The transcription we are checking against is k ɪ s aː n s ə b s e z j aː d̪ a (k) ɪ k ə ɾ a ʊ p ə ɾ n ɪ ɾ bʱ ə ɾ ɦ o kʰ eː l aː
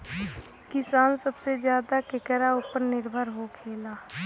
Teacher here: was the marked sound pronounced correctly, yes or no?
yes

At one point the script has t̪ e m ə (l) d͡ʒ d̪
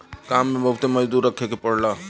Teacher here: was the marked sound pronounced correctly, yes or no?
no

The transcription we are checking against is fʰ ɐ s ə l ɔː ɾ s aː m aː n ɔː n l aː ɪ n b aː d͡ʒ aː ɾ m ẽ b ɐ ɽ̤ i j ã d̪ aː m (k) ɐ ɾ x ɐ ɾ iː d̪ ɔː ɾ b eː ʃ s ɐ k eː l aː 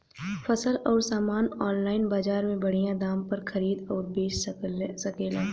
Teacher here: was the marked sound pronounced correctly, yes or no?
no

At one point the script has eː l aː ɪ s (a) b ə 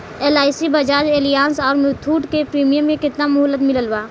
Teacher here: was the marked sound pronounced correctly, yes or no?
no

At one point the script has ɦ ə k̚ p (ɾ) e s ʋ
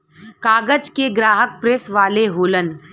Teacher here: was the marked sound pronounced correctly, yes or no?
yes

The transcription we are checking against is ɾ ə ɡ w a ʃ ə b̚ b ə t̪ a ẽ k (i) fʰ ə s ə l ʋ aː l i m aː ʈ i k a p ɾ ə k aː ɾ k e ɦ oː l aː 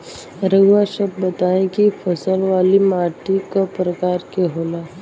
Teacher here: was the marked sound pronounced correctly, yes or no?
yes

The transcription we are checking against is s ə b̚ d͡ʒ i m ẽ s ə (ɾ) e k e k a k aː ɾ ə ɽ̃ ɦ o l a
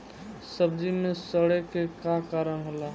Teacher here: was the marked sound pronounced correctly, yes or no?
no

